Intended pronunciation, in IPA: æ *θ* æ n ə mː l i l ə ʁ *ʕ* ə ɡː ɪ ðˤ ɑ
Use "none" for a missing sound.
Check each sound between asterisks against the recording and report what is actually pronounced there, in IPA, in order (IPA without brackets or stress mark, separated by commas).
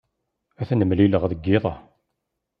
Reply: θ, ð